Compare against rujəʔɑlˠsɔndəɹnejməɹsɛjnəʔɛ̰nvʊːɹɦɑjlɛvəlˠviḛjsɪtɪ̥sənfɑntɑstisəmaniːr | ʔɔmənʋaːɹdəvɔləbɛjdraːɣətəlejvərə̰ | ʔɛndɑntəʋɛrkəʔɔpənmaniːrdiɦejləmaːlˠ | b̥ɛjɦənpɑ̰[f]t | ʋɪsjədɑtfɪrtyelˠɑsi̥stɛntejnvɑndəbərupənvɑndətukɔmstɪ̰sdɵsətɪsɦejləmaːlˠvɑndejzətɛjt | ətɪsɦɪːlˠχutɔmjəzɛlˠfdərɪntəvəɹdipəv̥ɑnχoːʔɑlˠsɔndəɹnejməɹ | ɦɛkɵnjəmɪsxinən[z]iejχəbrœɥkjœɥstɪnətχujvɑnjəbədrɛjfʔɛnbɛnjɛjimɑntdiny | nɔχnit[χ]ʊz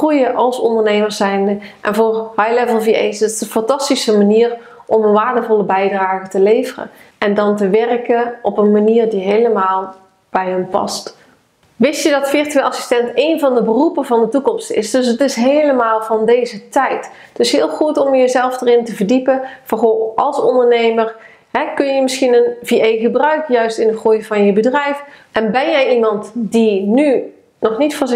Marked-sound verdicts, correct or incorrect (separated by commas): incorrect, incorrect, incorrect